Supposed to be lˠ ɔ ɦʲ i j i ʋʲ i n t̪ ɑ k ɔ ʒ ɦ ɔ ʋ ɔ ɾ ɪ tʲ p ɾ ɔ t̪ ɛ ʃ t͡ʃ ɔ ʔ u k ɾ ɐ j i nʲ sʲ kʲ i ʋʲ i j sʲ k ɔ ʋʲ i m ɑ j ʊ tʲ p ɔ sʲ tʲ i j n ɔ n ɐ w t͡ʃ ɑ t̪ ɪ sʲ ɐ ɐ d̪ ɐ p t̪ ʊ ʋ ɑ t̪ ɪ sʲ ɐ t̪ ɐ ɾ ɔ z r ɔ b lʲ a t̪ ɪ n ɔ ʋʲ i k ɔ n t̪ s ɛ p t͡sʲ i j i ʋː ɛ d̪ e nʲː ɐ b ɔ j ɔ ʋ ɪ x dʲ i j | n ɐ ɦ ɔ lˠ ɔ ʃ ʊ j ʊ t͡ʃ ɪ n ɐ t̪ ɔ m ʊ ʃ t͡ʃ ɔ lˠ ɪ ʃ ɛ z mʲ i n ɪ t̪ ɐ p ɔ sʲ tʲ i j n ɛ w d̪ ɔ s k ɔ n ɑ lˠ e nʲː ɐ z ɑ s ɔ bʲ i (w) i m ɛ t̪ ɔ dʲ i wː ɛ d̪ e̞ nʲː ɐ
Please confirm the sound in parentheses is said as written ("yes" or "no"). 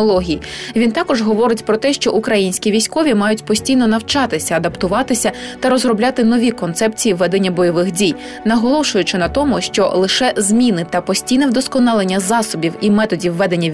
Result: yes